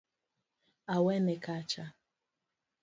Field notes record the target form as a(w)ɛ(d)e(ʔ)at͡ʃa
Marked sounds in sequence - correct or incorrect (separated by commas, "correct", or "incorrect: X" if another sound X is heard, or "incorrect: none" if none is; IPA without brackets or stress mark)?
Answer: correct, incorrect: n, incorrect: k